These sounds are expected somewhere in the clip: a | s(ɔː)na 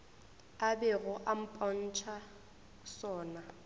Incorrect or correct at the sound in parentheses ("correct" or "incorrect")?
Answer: correct